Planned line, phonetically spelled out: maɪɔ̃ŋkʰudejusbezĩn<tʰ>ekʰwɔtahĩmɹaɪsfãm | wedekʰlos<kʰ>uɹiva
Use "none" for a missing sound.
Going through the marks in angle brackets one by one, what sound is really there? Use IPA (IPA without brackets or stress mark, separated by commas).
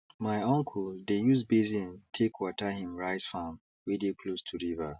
tʰ, tʰ